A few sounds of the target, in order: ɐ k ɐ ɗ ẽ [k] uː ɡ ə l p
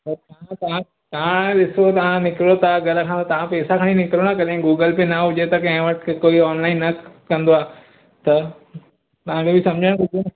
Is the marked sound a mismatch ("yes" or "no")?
yes